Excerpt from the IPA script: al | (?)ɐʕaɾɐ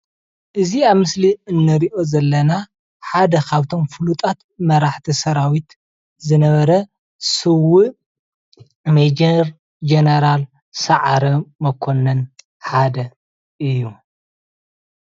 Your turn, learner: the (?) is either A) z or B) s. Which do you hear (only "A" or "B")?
B